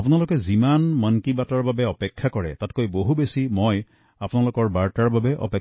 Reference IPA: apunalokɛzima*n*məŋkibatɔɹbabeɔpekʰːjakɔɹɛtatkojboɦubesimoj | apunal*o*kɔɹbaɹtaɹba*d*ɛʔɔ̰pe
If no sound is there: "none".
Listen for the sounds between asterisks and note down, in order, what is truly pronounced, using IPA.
n, o, b

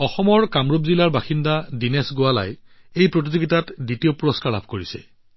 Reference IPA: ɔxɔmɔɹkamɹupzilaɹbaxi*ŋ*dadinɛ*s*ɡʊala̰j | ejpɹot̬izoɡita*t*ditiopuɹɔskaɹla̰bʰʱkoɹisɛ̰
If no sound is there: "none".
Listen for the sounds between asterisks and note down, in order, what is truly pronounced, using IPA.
n, s, t

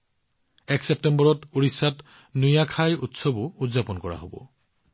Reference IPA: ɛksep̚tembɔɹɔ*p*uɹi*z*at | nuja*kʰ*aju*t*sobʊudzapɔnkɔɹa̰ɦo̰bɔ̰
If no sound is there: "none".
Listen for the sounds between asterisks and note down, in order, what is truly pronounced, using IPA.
t, s, kʰ, t

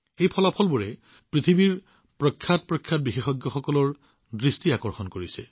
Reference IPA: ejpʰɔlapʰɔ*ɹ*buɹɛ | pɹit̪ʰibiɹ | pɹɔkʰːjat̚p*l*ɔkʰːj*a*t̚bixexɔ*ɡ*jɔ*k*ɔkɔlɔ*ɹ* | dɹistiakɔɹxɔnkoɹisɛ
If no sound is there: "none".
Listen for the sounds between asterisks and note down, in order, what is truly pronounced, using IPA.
l, ɹ, a, ɡ, x, ɹ

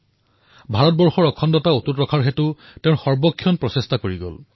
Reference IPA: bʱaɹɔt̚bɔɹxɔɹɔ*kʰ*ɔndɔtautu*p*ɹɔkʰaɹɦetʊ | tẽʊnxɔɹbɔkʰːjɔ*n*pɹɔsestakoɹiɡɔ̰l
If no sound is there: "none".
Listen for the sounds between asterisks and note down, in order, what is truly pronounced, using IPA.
kʰ, t, n

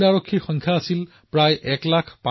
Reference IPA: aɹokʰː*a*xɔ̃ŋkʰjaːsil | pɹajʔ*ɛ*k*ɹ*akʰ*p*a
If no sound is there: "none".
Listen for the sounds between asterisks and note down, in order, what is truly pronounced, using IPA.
i, ɛ, l, p

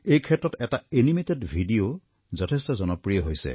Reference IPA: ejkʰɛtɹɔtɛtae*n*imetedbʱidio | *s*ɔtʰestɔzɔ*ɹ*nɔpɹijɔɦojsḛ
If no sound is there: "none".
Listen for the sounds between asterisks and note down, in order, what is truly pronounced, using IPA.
n, z, none

